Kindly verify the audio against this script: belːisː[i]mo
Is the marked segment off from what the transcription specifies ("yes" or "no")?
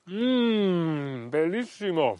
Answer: no